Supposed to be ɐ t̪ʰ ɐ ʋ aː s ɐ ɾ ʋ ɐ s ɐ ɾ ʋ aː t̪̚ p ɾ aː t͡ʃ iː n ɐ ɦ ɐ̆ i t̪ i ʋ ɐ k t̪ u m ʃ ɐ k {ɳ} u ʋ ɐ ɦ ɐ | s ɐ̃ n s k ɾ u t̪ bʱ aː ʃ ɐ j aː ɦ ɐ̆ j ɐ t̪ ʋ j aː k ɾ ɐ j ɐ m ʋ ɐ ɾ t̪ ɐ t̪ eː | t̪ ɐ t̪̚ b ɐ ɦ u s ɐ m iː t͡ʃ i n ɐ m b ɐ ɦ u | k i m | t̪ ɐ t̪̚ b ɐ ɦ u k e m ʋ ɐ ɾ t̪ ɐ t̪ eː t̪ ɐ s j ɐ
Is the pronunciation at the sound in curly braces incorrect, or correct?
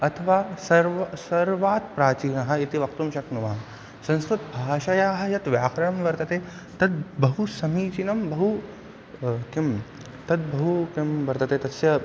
incorrect